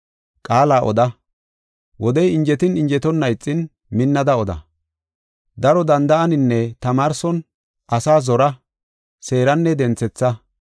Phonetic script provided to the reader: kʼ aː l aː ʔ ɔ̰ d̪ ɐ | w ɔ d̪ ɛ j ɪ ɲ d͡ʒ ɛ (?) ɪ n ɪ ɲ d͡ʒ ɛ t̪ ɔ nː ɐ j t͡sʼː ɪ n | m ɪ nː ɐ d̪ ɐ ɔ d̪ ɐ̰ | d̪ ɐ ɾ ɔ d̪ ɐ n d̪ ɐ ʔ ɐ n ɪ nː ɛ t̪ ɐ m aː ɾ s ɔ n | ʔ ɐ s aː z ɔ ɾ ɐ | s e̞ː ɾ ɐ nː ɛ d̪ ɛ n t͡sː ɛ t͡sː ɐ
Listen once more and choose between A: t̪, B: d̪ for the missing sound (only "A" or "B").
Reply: A